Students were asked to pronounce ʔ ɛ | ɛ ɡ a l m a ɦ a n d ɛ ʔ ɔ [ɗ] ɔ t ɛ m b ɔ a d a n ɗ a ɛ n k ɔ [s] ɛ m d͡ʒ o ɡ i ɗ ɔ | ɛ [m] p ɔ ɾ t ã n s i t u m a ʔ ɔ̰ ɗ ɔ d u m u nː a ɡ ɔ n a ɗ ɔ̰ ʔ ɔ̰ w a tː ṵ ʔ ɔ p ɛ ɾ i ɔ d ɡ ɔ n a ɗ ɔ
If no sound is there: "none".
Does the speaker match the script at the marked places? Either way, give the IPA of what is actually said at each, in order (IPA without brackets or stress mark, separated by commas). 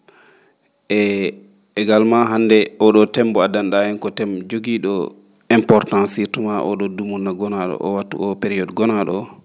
ɗ, t, m